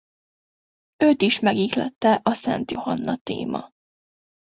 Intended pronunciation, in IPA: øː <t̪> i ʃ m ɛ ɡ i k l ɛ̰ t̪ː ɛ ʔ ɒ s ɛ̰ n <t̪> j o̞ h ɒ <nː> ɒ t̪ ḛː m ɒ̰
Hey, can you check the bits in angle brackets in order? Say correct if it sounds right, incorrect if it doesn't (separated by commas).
correct, correct, correct